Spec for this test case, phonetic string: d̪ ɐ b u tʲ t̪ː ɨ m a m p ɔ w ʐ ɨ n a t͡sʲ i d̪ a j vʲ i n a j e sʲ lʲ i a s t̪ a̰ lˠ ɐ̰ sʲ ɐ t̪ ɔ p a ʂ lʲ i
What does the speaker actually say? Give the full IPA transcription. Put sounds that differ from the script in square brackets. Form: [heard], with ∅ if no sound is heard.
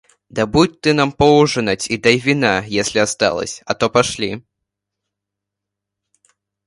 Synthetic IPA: d̪ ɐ b u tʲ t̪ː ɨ [n] a m p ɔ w ʐ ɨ n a t͡sʲ i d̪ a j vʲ i n a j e sʲ lʲ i a s t̪ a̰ lˠ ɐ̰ sʲ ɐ t̪ ɔ p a ʂ lʲ i